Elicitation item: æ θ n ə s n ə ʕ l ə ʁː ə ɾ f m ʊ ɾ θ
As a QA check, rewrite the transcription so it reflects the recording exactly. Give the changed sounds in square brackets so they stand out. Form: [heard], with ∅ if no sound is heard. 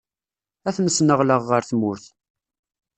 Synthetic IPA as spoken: æ θ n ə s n ə [ʁ] l ə ʁː ə ɾ [θ] m ʊ ɾ θ